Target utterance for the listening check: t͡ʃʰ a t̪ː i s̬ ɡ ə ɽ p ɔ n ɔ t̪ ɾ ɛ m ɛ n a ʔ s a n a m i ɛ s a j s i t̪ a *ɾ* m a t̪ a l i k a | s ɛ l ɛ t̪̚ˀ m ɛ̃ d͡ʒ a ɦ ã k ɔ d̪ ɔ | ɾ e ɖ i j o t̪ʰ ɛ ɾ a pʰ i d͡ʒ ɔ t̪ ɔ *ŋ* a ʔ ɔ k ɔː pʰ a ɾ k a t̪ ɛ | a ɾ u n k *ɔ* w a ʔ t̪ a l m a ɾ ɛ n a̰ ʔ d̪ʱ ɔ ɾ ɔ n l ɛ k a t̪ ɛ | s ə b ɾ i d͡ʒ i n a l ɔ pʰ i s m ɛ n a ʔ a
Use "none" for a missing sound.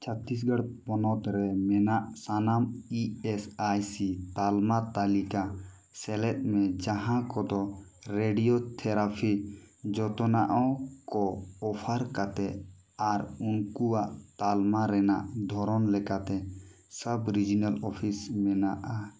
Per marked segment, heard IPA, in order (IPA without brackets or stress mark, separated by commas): l, n, u